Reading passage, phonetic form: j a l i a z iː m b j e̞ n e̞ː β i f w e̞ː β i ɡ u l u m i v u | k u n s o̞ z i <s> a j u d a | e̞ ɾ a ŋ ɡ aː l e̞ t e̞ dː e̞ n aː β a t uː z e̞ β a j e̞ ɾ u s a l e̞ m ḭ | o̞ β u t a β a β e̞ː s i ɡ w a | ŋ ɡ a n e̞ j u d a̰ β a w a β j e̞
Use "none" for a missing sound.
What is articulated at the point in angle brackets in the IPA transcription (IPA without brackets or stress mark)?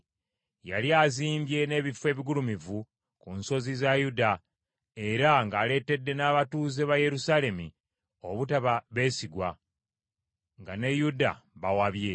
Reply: z